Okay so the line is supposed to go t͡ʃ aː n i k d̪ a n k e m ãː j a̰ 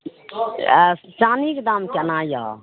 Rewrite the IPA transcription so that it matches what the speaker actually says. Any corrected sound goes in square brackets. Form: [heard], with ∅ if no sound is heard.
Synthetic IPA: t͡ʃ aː n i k d̪ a [m] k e [n] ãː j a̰